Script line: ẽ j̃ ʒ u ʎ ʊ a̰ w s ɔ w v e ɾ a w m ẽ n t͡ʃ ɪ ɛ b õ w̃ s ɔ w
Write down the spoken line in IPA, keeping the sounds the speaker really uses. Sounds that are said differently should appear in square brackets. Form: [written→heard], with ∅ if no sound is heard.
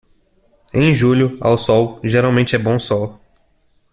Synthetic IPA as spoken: ẽ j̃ ʒ u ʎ ʊ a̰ w s ɔ w [v→ʒ] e ɾ a w m ẽ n t͡ʃ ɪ ɛ b õ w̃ s ɔ w